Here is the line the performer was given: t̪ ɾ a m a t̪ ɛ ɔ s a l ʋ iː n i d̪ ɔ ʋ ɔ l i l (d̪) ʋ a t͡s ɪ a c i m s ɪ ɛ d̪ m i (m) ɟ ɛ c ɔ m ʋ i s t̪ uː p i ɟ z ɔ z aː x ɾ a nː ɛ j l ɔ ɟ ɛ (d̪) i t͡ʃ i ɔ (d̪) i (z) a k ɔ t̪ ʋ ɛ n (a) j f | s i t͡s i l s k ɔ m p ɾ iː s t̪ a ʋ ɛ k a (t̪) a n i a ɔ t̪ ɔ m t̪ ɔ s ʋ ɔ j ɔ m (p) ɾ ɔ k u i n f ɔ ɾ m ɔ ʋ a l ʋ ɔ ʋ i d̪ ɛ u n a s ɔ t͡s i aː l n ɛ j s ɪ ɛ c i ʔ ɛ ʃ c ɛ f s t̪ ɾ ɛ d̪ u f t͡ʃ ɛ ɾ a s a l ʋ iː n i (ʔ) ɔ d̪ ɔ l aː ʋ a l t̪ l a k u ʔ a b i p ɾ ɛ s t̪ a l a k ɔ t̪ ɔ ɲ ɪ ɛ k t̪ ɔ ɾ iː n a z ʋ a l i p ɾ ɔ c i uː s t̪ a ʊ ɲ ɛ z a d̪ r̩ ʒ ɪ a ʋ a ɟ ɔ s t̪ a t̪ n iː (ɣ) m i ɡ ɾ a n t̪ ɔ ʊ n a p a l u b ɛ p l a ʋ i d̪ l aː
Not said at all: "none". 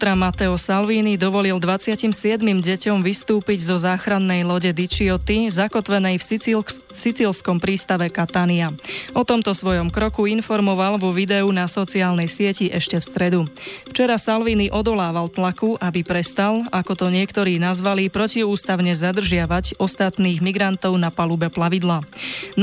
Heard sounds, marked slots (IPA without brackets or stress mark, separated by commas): d̪, m, d̪, t̪, z, ɛ, t̪, k, ʔ, ɣ